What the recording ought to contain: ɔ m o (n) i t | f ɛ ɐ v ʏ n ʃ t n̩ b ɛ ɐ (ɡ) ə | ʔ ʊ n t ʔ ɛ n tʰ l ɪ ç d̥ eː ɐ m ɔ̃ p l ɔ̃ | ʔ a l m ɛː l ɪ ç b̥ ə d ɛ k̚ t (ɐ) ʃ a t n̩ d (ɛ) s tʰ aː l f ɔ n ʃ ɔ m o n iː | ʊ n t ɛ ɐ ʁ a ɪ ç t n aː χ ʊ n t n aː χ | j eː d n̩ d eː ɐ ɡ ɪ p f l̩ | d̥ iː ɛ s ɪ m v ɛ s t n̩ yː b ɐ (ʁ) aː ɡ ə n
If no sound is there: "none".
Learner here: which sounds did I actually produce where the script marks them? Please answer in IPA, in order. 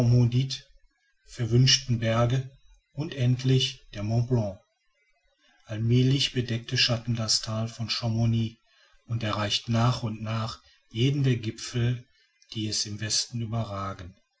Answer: d, ɡ, ə, a, ʁ

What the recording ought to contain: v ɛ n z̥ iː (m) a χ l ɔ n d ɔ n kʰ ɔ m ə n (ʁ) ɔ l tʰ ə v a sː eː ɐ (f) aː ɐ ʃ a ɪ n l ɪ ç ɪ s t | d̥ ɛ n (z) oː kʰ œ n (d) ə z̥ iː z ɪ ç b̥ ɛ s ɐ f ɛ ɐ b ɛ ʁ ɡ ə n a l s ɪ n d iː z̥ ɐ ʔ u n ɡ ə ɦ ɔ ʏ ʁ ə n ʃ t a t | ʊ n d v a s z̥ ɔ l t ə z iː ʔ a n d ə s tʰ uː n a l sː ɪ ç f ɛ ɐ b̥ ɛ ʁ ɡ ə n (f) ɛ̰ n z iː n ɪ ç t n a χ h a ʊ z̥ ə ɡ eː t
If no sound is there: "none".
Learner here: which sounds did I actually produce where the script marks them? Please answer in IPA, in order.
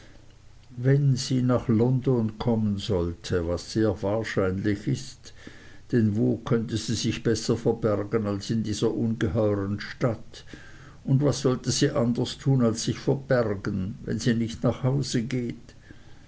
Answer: n, z, v, v, t, v

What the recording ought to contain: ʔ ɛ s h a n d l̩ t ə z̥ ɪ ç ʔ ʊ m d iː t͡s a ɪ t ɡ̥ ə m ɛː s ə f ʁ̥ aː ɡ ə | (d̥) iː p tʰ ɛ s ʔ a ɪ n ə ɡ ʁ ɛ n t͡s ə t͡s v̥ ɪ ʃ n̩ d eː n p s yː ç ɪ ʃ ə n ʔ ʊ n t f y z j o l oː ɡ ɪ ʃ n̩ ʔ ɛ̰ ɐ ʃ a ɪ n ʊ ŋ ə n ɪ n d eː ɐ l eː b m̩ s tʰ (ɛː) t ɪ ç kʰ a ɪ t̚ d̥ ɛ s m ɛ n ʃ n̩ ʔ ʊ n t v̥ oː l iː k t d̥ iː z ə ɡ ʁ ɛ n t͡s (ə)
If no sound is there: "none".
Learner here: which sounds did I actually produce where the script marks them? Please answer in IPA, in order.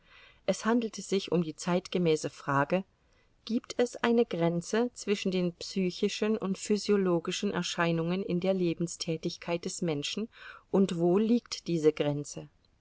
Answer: ɡ̥, ɛː, ə

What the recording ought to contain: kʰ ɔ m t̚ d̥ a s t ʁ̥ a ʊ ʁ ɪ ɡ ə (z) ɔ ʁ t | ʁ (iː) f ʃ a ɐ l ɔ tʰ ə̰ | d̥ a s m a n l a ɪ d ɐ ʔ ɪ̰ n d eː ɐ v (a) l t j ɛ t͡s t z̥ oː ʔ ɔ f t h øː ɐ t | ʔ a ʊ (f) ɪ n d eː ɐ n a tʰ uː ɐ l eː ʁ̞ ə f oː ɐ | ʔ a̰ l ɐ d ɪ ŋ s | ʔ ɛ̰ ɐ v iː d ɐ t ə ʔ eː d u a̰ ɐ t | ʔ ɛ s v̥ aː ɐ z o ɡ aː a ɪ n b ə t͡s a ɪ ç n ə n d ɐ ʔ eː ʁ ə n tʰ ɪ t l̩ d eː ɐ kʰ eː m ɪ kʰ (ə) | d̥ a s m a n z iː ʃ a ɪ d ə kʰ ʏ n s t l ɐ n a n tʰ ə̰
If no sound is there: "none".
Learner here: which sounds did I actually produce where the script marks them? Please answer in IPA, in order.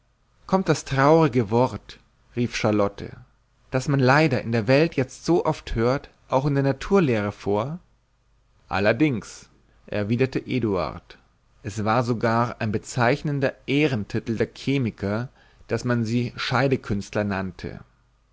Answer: v, iː, ɛ, x, ɐ

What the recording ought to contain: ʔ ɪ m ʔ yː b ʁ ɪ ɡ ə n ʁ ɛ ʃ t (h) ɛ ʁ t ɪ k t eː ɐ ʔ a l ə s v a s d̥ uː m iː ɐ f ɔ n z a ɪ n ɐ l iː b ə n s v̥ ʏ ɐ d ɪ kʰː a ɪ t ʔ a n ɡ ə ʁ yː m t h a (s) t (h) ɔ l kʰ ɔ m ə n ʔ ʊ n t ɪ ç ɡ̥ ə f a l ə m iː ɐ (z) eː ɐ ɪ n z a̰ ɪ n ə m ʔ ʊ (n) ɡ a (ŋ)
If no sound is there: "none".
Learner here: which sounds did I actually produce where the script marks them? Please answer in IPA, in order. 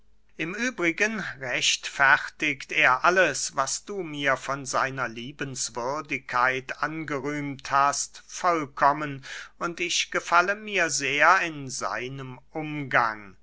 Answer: f, s, f, z, m, ŋ

